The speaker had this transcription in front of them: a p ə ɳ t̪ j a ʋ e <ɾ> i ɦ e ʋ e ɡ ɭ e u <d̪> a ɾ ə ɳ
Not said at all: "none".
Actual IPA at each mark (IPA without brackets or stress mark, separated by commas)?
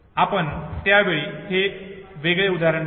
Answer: ɭ, d̪